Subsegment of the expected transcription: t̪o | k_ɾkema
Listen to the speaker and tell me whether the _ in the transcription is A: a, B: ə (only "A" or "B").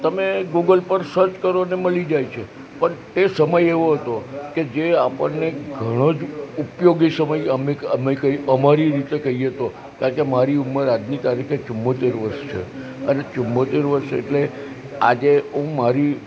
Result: A